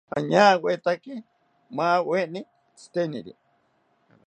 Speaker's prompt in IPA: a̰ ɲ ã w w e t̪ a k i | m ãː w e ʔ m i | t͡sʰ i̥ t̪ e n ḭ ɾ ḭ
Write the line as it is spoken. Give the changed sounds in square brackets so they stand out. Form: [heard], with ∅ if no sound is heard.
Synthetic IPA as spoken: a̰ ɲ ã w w e t̪ a k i | m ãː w e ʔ [n] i | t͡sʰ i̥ t̪ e n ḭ ɾ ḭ